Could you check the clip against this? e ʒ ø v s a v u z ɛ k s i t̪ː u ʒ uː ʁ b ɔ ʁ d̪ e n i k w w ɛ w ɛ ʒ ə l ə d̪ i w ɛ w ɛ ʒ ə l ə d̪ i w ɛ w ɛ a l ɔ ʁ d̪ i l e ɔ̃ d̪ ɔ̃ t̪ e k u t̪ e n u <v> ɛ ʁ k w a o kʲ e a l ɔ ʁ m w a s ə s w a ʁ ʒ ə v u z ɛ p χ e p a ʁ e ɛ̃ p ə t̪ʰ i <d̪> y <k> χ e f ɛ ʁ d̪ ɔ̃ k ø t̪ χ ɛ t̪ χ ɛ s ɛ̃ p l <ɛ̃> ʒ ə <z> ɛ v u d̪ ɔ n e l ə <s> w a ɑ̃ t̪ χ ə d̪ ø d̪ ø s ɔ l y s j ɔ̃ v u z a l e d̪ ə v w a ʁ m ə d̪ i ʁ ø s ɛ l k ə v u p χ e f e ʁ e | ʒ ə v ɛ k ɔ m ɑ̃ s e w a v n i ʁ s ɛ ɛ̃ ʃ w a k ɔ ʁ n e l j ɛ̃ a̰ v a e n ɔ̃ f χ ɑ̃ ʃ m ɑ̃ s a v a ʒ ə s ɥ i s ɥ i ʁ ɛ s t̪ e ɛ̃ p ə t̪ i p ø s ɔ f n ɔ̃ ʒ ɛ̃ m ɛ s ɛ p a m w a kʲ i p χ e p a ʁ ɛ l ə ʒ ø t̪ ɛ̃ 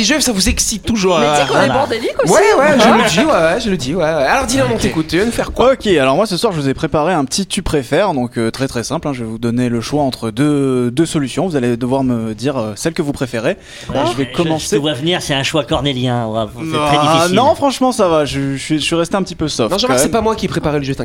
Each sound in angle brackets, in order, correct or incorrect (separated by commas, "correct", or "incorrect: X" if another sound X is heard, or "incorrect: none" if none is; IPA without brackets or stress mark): incorrect: f, incorrect: t̪, incorrect: p, correct, incorrect: v, incorrect: ʃ